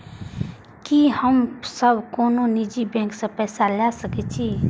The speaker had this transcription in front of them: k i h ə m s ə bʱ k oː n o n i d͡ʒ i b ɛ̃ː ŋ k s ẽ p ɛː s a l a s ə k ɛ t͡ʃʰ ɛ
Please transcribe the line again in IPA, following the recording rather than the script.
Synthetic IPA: k i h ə m s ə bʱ k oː n o n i d͡ʒ i b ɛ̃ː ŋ k s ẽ p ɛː s a l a s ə k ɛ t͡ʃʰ i